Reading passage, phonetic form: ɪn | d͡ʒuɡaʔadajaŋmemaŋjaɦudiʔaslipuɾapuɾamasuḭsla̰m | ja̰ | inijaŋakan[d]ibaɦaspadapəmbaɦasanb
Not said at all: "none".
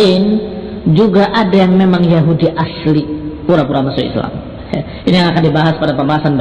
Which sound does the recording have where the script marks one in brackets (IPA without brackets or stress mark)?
d